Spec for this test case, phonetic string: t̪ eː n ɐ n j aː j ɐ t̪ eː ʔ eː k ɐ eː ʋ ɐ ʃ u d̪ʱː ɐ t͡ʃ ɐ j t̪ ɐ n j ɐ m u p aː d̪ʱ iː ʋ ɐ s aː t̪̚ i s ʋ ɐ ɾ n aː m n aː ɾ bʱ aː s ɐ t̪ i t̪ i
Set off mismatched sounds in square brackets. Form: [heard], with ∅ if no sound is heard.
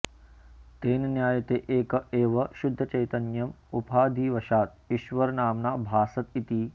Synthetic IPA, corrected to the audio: t̪ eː n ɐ n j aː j ɐ t̪ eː ʔ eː k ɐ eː ʋ ɐ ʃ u d̪ʱː ɐ t͡ʃ ɐ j t̪ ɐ n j ɐ m u p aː d̪ʱ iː ʋ ɐ [ʃ] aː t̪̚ i [ʃ] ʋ ɐ ɾ n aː m n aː [∅] bʱ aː s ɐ t̪ i t̪ i